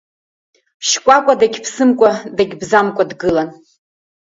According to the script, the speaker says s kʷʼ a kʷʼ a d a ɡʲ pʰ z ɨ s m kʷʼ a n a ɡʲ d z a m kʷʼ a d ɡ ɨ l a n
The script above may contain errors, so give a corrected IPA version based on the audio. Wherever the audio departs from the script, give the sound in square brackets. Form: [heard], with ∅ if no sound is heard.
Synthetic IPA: [ʃ] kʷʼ a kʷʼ a d a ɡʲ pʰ [s] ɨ [∅] m kʷʼ a [d] a ɡʲ [b] z a m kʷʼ a d ɡ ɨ l a n